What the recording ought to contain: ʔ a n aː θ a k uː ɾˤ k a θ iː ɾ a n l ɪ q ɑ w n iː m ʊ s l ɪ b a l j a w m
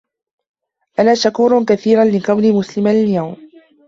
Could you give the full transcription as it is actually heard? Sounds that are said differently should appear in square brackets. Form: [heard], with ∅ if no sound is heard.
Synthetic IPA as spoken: ʔ a n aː [ʃ] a k uː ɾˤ k a θ iː ɾ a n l ɪ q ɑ w n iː m ʊ s l ɪ [m] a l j a w m